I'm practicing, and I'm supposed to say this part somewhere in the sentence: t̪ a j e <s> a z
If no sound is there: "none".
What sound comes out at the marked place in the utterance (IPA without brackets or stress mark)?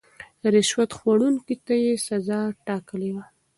s